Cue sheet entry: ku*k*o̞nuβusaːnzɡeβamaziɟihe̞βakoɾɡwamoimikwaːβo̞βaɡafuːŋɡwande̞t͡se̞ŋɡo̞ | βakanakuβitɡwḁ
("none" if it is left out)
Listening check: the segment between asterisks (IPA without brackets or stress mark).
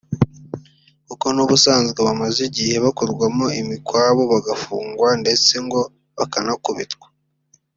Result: k